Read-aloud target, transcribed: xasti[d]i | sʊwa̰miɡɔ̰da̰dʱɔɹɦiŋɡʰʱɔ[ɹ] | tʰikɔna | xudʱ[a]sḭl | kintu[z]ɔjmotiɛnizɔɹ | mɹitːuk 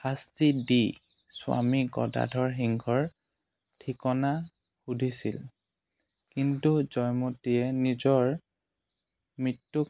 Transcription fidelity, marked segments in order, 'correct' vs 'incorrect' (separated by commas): correct, correct, incorrect, correct